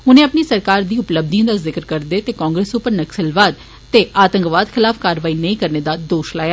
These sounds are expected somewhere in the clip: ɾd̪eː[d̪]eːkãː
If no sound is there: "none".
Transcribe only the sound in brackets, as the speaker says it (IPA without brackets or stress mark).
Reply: t̪